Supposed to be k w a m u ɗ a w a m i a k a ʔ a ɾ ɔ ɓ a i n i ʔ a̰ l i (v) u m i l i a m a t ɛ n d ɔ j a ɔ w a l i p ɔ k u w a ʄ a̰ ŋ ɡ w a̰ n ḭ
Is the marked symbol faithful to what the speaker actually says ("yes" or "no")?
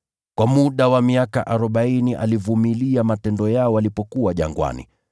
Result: yes